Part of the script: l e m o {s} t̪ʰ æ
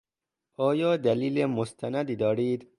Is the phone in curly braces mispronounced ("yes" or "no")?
no